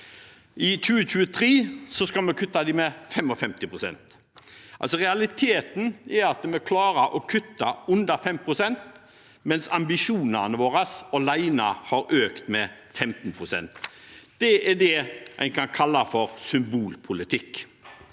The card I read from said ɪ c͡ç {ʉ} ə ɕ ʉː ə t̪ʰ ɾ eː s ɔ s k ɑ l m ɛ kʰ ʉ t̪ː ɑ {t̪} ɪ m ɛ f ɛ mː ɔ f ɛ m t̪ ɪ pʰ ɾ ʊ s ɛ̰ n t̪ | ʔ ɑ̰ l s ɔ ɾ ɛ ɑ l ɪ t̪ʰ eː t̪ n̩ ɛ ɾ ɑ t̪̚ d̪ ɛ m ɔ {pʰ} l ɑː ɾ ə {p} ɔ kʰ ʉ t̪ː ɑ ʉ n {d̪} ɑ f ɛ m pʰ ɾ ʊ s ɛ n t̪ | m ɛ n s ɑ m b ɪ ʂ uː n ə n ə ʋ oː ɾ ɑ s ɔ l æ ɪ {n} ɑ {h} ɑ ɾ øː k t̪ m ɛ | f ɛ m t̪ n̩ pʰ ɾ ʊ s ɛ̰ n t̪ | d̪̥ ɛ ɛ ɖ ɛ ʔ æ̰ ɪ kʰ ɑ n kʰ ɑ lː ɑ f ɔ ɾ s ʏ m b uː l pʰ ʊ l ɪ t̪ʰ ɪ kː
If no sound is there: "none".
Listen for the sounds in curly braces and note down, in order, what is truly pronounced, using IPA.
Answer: ʉː, d̪, kʰ, ʔ, d̪, n, h

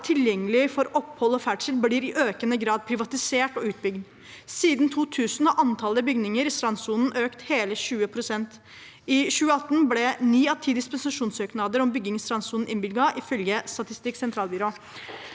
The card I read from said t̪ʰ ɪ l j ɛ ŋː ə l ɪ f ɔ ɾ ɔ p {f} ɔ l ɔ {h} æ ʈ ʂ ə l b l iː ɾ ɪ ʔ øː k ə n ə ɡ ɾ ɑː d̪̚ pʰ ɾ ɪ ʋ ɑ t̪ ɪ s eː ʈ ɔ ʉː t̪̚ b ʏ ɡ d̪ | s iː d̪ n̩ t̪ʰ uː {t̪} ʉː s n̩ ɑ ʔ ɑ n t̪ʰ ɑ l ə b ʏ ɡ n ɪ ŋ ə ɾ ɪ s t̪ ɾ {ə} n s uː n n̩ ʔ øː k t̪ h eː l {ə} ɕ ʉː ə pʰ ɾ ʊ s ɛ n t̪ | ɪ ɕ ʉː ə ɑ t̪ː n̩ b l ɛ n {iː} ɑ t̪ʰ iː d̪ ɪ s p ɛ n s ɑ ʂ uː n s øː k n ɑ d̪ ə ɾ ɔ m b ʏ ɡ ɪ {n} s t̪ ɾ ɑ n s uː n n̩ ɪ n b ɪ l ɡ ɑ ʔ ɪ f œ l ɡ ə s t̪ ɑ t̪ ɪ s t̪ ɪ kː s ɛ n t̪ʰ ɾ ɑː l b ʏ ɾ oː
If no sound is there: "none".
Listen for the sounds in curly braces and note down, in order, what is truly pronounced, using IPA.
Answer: h, f, t̪ʰ, ɑ, ə, iː, ŋ

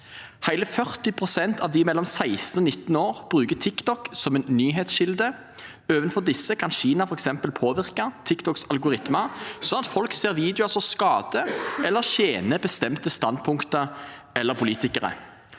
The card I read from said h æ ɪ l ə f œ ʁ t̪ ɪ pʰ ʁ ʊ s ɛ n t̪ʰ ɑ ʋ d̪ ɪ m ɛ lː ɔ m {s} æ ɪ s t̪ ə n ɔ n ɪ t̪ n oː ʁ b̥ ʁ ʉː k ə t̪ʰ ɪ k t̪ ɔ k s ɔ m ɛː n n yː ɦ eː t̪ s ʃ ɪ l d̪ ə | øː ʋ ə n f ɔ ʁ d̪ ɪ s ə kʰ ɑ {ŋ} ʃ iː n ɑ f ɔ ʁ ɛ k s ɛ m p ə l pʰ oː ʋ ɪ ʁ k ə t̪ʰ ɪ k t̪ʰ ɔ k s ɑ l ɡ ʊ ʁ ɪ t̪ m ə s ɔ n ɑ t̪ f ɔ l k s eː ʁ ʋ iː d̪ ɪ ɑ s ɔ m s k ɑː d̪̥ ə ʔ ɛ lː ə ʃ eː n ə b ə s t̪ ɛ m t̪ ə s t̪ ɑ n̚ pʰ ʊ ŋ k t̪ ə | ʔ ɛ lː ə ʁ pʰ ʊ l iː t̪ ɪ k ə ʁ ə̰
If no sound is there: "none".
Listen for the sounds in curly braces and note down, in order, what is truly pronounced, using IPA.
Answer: s, n

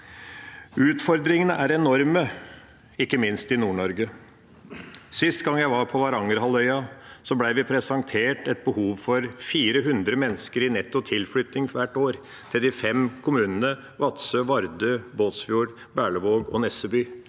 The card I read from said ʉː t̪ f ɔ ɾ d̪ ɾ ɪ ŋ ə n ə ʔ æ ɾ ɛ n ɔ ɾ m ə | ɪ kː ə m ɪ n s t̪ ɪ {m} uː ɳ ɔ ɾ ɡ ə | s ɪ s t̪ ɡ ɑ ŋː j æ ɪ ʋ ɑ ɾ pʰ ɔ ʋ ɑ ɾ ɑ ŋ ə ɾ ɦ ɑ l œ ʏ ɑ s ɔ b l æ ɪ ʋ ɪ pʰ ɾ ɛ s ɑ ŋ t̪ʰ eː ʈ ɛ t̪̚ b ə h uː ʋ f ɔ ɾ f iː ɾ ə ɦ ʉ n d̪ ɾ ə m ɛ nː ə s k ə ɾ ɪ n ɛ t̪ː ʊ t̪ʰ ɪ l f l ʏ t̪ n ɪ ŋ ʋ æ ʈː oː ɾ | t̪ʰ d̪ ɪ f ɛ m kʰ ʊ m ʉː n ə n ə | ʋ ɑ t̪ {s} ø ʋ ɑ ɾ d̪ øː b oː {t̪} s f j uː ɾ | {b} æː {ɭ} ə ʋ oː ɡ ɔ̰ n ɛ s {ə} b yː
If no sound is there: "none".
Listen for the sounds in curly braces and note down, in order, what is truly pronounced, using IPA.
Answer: n, s, t̪, b, ɭ, ə

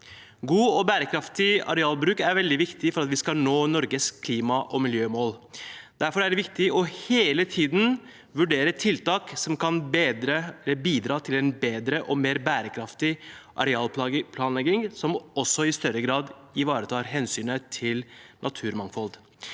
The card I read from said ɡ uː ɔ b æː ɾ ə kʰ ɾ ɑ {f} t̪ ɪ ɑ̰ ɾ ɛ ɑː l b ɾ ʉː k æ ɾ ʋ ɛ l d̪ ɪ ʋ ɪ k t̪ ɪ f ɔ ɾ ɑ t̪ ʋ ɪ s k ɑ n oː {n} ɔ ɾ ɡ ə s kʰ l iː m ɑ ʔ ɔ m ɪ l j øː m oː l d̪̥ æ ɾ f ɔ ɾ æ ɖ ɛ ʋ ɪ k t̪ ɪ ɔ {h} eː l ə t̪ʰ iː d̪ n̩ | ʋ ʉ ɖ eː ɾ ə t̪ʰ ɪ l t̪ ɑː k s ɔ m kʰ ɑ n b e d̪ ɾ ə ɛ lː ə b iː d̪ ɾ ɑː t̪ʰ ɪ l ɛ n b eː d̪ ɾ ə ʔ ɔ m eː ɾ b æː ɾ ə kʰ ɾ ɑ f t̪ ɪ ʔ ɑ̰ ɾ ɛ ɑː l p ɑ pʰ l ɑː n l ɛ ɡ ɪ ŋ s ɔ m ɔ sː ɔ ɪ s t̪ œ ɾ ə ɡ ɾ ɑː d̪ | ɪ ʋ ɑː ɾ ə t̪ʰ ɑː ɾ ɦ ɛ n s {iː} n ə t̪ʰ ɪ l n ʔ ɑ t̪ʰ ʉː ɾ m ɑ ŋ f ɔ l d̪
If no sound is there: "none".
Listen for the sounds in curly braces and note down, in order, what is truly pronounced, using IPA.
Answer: f, n, h, yː

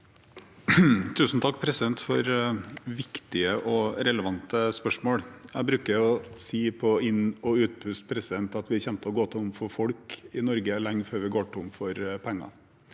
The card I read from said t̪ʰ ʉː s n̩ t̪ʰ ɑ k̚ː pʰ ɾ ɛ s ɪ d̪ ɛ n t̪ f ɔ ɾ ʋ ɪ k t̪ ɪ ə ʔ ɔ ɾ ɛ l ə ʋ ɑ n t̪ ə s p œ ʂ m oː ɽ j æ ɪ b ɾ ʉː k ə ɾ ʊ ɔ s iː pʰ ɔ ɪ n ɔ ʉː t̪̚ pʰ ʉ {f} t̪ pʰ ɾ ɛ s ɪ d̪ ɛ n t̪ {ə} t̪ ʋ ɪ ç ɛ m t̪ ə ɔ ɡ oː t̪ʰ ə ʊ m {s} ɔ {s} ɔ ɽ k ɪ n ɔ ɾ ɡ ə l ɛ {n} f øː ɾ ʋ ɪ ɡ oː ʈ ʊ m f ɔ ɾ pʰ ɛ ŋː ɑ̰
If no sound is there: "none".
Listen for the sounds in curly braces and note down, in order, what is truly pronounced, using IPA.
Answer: s, ɑ, f, f, ŋ

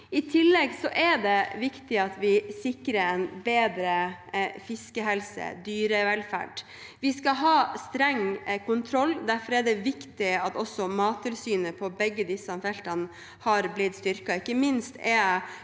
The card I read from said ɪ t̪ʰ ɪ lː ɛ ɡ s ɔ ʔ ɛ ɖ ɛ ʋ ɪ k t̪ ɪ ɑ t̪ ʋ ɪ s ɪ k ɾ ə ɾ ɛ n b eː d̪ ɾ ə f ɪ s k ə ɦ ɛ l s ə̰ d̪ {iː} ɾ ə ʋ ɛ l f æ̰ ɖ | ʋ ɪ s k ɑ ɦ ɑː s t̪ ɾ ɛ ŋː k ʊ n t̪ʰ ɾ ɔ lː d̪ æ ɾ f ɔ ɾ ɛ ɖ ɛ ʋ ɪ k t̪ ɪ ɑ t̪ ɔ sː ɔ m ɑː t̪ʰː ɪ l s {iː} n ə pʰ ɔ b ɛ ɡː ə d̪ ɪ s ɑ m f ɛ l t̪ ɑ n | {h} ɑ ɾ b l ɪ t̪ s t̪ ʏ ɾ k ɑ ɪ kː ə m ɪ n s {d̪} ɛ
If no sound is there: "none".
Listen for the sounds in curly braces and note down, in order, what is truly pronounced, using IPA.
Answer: yː, yː, h, t̪

